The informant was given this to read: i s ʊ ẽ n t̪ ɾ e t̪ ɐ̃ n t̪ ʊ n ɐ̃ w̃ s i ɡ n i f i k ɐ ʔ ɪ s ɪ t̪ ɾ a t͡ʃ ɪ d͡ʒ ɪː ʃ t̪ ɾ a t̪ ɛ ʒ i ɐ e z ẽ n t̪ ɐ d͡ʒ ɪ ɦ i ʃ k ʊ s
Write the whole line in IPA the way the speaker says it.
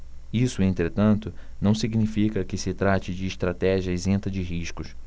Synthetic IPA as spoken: i s ʊ ẽ n t̪ ɾ e t̪ ɐ̃ n t̪ ʊ n ɐ̃ w̃ s i ɡ n i f i k ɐ k ɪ s ɪ t̪ ɾ a t͡ʃ ɪ d͡ʒ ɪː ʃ t̪ ɾ a t̪ ɛ ʒ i ɐ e z ẽ n t̪ ɐ d͡ʒ ɪ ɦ i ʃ k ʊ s